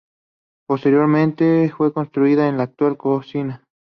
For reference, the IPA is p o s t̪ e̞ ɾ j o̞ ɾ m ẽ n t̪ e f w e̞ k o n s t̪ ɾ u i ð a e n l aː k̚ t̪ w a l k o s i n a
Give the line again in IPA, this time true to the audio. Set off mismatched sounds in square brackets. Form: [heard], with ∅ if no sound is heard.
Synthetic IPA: p o s t̪ e̞ ɾ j o̞ ɾ m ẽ n t̪ e f w e̞ k o n s t̪ ɾ u i ð a e n l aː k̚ t̪ w a l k o s i n a